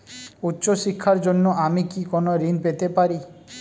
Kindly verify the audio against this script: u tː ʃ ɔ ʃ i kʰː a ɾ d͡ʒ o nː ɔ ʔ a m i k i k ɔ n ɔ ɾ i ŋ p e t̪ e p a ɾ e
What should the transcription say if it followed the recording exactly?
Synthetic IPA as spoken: u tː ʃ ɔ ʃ i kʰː a ɾ d͡ʒ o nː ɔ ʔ a m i k i k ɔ n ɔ ɾ i n p e t̪ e p a ɾ i